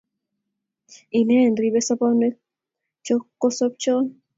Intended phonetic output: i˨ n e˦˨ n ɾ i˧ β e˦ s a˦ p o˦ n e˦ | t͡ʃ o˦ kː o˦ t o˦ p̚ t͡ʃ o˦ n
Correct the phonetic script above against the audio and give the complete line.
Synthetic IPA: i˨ n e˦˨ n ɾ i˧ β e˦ s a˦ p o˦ n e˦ | t͡ʃ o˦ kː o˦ s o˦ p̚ t͡ʃ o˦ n